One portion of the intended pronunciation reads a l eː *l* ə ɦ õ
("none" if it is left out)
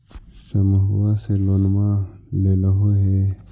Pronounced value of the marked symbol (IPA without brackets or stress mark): l